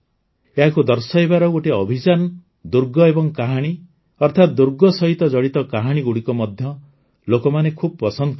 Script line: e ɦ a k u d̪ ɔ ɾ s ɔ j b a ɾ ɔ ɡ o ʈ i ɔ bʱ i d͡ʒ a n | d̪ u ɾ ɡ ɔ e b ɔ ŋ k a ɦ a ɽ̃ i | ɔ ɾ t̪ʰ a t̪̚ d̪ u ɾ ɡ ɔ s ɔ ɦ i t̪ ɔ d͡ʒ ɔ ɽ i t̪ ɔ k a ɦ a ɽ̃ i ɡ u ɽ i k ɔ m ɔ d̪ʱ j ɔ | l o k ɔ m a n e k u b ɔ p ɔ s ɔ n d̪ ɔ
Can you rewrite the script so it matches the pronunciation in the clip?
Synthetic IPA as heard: e ɦ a k u d̪ ɔ ɾ s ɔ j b a ɾ ɔ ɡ o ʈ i ɔ bʱ i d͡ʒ a n | d̪ u ɾ ɡ ɔ e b ɔ ŋ k a ɦ a ɽ̃ i | ɔ ɾ t̪ʰ a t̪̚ d̪ u ɾ ɡ ɔ s ɔ ɦ i t̪ ɔ d͡ʒ ɔ ɽ i t̪ ɔ k a ɦ a ɽ̃ i ɡ u ɽ i k ɔ m ɔ d̪ʱ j ɔ | l o k ɔ m a n e kʰ u b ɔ p ɔ s ɔ n d̪ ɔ